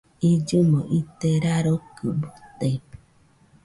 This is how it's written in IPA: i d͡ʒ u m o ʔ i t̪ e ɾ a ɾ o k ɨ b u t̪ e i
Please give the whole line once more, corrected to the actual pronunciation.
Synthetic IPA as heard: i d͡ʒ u m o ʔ i t̪ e ɾ a ɾ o k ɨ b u t̪ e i